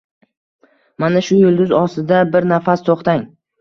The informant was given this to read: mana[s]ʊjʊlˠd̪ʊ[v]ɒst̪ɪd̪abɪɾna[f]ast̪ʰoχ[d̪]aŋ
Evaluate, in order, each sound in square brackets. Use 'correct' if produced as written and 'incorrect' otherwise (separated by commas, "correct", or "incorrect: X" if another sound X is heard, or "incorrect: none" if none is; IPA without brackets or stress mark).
incorrect: ʃ, incorrect: z, correct, incorrect: t̪